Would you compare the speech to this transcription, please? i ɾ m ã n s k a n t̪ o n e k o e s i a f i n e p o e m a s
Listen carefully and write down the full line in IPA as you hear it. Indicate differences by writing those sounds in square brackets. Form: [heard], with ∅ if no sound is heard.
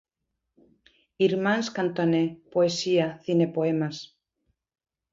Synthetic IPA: i ɾ m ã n s k a n t̪ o n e [p] o e s i a [θ] i n e p o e m a s